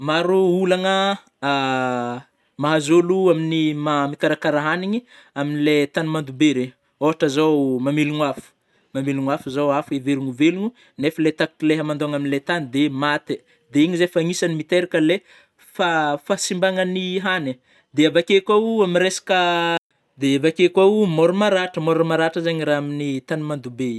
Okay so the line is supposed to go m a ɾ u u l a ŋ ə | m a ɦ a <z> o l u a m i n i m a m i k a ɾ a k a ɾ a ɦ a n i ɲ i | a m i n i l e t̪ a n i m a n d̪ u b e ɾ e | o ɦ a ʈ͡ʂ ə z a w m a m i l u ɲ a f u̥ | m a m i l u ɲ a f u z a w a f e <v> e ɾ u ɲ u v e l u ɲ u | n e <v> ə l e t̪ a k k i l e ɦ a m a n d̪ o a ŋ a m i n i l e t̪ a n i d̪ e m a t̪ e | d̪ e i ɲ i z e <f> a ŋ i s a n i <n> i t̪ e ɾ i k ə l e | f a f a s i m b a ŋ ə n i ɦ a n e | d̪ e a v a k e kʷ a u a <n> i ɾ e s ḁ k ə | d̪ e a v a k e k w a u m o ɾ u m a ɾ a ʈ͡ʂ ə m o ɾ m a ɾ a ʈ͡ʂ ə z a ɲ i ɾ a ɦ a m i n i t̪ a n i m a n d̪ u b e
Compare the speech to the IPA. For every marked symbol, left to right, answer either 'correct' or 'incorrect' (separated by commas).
correct, correct, incorrect, correct, incorrect, incorrect